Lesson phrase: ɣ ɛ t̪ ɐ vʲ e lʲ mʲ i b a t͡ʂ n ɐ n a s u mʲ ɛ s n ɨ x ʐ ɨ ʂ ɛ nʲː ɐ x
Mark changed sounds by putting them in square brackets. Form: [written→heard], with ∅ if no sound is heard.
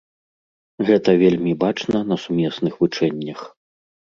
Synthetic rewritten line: ɣ ɛ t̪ ɐ vʲ e lʲ mʲ i b a t͡ʂ n ɐ n [a→ɐ] s u mʲ ɛ s n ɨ x [ʐ→v] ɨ [ʂ→t͡ʂ] ɛ nʲː ɐ x

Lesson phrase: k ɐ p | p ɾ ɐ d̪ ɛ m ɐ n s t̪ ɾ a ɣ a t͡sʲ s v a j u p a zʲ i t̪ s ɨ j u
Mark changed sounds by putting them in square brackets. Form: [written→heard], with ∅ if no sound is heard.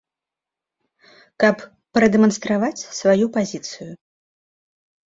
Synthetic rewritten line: k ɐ p | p ɾ ɐ d̪ ɛ m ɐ n s t̪ ɾ a [ɣ→v] a t͡sʲ s v a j u p a zʲ i t̪ s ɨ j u

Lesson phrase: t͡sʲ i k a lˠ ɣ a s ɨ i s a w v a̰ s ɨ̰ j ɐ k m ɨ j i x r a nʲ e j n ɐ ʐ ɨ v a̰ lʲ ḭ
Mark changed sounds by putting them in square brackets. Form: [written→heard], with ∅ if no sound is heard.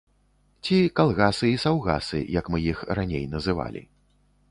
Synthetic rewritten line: t͡sʲ i k a lˠ ɣ a s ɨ i s a w [v→ɣ] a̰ s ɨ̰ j ɐ k m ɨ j i x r a nʲ e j n ɐ [ʐ→z] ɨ v a̰ lʲ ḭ

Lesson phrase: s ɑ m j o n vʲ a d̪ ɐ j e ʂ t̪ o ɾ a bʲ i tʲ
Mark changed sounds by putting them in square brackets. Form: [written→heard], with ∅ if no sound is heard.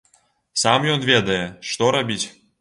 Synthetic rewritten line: s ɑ m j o n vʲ [a→e] d̪ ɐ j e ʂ t̪ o ɾ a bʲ i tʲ

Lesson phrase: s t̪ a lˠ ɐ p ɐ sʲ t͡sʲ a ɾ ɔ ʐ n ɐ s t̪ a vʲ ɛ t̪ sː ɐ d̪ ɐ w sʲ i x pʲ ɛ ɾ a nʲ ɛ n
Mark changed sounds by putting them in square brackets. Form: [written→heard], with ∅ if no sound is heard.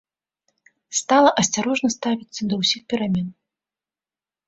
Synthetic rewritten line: s t̪ a lˠ ɐ [p→ʔ] ɐ sʲ t͡sʲ a ɾ ɔ ʐ n ɐ s t̪ a vʲ [ɛ→i] t̪ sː ɐ d̪ ɐ w sʲ i x pʲ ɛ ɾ a [nʲ→mʲ] ɛ n

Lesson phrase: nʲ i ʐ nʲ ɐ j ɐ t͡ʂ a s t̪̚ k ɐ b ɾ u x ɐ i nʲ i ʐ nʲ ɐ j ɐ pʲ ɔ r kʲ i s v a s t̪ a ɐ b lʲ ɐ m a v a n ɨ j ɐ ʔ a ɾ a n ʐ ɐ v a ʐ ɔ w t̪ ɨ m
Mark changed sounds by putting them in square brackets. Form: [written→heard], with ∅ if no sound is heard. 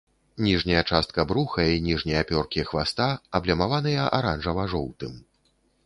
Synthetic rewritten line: nʲ i ʐ nʲ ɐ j ɐ t͡ʂ a s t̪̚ k ɐ b ɾ u x ɐ i nʲ i ʐ nʲ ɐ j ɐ pʲ ɔ r kʲ i [s→x] v a s t̪ a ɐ b lʲ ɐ m a v a n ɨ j ɐ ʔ a ɾ a n ʐ ɐ v a ʐ ɔ w t̪ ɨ m

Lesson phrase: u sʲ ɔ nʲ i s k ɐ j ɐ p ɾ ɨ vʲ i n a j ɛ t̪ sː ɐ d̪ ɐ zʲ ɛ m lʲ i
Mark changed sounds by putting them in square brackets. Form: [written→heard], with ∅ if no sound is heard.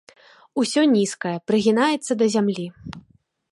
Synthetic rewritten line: u sʲ ɔ nʲ i s k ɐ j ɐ p ɾ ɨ [vʲ→ɣʲ] i n a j ɛ t̪ sː ɐ d̪ ɐ zʲ [ɛ→a] m lʲ i

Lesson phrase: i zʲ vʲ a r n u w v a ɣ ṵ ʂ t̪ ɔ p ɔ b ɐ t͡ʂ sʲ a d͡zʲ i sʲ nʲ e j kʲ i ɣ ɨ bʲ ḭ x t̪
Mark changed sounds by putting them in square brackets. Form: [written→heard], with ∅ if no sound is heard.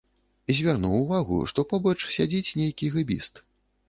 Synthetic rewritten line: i zʲ vʲ a r n u w v a ɣ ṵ ʂ t̪ ɔ p ɔ b ɐ t͡ʂ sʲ a d͡zʲ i [sʲ→t͡sʲ] nʲ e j kʲ i ɣ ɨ bʲ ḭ [x→s] t̪

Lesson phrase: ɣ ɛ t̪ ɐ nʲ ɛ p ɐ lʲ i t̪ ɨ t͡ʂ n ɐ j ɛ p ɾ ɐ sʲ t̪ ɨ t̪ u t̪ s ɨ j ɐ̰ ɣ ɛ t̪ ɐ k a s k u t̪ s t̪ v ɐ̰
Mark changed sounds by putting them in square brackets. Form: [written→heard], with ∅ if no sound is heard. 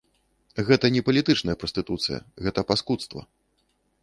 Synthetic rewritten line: ɣ ɛ t̪ ɐ nʲ ɛ p ɐ lʲ i t̪ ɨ t͡ʂ n ɐ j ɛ p ɾ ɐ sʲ t̪ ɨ t̪ u t̪ s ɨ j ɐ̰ ɣ ɛ t̪ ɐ [k→p] a s k u t̪ s t̪ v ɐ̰

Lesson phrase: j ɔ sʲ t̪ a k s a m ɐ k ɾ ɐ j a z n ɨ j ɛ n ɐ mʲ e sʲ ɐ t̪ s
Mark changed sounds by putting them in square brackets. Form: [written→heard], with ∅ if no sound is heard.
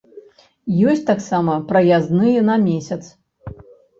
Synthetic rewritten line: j ɔ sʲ t̪ a k s a m ɐ [k→p] ɾ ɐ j a z n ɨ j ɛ n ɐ mʲ e sʲ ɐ t̪ s

